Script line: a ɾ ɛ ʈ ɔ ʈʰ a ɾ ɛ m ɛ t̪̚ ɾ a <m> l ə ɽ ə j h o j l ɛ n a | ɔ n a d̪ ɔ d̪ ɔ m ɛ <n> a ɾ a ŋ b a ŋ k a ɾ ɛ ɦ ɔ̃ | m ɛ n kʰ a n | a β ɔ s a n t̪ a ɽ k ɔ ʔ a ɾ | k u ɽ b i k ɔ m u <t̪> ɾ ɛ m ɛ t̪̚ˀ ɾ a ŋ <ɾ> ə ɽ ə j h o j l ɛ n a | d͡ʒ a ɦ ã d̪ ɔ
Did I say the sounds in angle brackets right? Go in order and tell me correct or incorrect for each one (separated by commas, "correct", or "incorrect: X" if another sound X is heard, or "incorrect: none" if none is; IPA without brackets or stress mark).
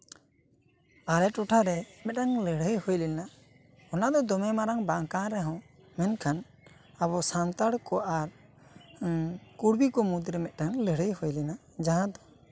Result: incorrect: ŋ, incorrect: m, incorrect: d̪, incorrect: l